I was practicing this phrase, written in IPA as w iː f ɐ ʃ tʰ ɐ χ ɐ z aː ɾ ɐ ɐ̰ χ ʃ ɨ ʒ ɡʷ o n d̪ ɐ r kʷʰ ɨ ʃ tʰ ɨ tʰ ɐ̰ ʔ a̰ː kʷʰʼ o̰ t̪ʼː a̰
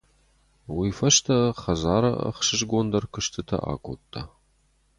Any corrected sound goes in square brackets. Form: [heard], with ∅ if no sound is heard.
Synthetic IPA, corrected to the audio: w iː f ɐ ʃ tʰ ɐ χ ɐ z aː ɾ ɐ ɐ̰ χ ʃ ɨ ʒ ɡʷ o n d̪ ɐ r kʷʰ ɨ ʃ tʰ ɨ tʰ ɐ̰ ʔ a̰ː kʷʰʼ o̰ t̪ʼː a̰